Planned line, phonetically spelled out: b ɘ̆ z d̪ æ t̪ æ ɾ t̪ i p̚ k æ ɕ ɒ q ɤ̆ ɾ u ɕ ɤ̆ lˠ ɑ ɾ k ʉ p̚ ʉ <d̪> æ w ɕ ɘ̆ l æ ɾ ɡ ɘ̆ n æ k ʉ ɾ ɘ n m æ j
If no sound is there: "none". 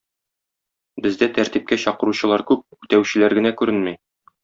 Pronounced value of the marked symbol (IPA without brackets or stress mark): t̪